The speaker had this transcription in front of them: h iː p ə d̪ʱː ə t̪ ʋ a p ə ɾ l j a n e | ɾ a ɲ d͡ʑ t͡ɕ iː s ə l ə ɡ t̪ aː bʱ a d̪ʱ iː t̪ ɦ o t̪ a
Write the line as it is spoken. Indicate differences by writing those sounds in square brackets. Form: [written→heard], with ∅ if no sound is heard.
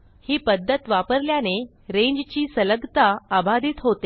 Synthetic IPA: h iː p ə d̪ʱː ə t̪ ʋ a p ə ɾ l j a n e | ɾ [a→e] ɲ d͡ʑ t͡ɕ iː s ə l ə ɡ t̪ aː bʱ a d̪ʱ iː t̪ ɦ o t̪ [a→e]